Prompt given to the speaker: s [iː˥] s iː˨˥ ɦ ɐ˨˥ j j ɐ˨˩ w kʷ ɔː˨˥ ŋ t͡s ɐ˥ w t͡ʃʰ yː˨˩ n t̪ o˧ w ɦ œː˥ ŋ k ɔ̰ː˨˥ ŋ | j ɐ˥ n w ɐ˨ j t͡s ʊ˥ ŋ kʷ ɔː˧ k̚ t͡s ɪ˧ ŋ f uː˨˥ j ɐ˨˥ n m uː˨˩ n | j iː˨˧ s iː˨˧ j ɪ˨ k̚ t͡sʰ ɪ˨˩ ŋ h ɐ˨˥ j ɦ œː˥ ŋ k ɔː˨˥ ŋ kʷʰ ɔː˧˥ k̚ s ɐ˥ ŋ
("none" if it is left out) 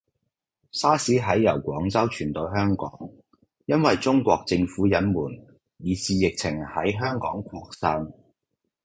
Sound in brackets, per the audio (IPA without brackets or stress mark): aː˥